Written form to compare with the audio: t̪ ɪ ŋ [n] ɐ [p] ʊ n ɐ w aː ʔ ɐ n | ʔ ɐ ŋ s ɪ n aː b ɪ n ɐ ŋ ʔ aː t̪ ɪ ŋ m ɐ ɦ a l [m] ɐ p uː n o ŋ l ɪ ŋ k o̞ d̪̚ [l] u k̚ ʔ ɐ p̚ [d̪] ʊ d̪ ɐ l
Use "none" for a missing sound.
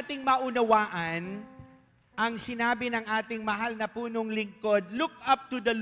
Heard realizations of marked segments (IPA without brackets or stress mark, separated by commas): m, ʔ, n, l, t̪